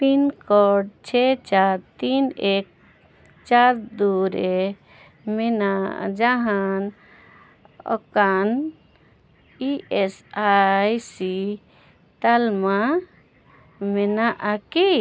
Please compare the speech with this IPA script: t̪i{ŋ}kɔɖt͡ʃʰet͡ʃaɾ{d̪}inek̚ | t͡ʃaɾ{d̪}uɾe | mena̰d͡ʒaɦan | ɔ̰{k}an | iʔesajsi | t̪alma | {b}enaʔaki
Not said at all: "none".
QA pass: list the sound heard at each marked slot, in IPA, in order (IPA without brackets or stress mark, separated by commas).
n, t̪, d̪, k, m